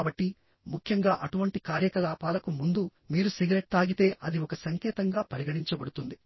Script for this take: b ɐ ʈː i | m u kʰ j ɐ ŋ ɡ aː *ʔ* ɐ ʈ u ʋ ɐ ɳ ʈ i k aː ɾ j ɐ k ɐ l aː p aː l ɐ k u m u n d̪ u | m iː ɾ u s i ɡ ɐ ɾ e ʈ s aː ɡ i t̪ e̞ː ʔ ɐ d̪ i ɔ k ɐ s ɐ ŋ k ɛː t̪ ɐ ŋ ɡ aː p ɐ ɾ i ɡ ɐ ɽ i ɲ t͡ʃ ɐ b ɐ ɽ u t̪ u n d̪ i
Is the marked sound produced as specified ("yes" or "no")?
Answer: yes